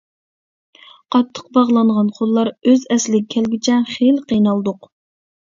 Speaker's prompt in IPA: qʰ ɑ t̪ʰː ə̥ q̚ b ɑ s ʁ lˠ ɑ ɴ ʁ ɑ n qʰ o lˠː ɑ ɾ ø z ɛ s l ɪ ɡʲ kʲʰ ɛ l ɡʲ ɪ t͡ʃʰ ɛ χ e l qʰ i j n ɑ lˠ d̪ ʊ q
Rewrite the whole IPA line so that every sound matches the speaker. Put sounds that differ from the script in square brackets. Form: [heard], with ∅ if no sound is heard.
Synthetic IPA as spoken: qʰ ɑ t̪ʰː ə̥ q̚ b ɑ [∅] ʁ lˠ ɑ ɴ ʁ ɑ n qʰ o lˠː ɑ ɾ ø z ɛ s l ɪ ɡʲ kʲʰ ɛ l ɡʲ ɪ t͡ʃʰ ɛ χ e l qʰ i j n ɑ lˠ d̪ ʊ q